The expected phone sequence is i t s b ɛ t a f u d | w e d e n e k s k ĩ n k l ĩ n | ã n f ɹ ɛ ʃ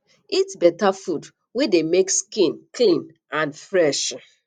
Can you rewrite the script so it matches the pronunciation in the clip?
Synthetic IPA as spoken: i t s b ɛ t a f u d | w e d e m e k s k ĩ n k l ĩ n | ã n f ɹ ɛ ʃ